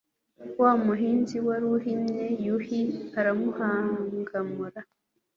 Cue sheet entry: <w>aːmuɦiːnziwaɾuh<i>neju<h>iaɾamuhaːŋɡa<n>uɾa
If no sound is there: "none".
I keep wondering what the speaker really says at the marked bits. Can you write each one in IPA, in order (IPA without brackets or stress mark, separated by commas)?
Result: w, i, h, m